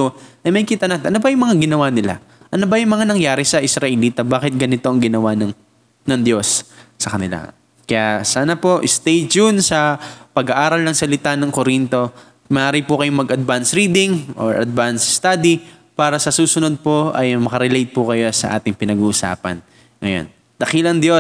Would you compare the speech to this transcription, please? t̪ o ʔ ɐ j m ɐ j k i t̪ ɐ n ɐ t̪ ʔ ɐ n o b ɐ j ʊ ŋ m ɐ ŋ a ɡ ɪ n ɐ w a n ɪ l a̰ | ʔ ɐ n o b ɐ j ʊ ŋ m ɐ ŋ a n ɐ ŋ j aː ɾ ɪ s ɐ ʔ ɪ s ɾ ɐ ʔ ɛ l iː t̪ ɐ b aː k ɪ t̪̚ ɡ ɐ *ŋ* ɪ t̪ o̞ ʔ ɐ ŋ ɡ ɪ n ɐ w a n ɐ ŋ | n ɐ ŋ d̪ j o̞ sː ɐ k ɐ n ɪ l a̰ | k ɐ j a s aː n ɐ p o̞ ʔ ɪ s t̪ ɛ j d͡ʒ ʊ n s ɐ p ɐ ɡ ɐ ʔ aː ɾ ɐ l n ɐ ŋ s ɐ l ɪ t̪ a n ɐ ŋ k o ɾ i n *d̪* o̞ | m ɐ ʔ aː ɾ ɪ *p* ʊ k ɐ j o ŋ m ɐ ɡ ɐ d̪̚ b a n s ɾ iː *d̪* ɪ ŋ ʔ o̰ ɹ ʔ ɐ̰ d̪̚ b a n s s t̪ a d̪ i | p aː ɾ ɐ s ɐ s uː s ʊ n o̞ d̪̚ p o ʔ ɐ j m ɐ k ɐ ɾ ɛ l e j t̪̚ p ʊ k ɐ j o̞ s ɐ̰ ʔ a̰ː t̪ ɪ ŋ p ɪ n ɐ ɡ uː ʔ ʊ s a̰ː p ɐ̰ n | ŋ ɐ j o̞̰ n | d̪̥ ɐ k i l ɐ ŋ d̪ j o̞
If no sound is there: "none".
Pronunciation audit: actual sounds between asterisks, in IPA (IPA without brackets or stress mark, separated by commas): n, t̪, p, d̪